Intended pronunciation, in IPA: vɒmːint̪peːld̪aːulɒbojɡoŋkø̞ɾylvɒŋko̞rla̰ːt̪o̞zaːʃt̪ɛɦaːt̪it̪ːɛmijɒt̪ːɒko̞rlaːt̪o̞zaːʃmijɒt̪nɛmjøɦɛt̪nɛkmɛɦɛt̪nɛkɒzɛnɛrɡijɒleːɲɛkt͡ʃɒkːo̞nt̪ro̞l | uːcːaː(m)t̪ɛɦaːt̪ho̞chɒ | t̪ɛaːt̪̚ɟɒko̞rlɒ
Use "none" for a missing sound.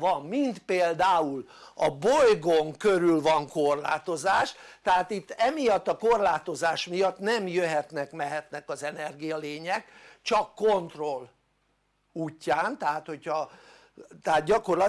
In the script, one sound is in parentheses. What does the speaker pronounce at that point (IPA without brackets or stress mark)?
n